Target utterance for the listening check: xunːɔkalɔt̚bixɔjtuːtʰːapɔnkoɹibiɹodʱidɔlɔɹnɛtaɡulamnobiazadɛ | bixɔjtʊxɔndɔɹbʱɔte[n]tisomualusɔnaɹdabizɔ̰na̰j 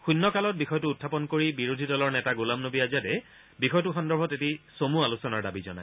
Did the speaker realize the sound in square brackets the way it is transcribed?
no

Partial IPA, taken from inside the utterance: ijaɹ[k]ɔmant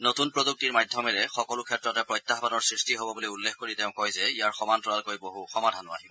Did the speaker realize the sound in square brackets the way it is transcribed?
no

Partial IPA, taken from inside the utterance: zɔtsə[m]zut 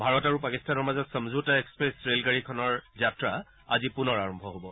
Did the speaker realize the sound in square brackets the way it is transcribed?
yes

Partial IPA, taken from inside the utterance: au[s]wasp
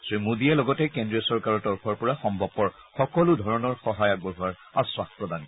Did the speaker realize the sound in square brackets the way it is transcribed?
yes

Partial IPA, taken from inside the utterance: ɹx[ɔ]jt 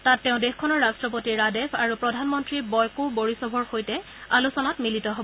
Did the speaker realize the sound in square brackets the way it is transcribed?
no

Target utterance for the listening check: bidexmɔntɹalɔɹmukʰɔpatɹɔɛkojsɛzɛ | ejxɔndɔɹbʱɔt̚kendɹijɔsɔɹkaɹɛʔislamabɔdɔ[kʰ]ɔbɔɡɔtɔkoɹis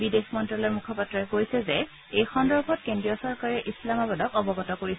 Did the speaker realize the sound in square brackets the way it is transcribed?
no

